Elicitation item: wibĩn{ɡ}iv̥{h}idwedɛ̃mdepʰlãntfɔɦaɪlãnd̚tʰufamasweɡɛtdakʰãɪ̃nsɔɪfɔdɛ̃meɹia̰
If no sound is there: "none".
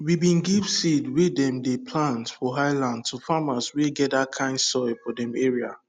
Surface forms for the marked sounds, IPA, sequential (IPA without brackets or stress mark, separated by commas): ɡ, s